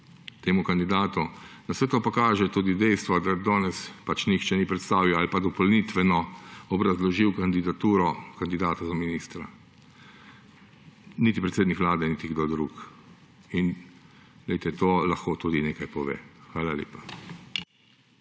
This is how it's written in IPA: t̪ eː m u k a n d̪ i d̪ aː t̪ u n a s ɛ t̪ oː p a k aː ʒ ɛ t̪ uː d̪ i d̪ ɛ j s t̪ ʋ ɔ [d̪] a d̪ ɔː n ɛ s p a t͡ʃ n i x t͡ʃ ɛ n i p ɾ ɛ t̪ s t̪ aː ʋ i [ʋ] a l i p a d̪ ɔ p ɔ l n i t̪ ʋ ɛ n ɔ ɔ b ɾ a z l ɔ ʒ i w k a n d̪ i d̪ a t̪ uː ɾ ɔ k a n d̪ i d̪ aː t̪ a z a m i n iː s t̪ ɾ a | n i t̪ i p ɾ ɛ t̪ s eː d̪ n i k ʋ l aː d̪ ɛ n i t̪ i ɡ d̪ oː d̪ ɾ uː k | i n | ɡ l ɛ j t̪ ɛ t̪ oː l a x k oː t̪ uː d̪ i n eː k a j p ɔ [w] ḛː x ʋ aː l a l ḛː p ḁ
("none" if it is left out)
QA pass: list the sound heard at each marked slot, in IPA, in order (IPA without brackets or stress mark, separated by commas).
d̪, w, ʋ